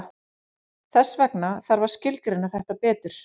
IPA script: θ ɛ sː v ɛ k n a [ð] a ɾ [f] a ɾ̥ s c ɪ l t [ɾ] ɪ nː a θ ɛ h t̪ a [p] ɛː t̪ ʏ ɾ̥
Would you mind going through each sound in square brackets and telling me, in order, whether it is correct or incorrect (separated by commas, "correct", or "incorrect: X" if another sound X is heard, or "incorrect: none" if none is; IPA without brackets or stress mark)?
incorrect: θ, incorrect: v, correct, correct